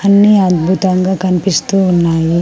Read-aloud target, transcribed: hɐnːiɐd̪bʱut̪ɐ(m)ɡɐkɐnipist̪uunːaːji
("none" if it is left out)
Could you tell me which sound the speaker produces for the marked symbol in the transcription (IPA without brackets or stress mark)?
ŋ